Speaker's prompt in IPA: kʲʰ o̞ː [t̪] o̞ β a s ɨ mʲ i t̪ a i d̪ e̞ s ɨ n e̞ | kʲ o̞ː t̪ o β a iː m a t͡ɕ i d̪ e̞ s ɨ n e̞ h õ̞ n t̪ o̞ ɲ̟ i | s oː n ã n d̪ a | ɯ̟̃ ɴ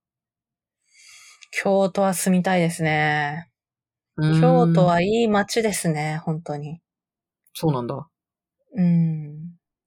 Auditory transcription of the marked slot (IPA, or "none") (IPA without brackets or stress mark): t̪